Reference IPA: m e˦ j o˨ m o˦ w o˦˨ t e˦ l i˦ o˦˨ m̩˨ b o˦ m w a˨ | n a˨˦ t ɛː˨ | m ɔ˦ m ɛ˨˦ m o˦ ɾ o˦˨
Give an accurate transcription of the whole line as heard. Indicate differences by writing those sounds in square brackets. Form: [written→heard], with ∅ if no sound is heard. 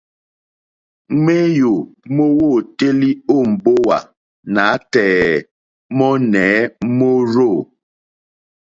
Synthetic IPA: m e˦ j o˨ m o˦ w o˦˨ t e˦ l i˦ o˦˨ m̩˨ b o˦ [m→∅] w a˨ | n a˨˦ t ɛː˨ | m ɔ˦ [m→n] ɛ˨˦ m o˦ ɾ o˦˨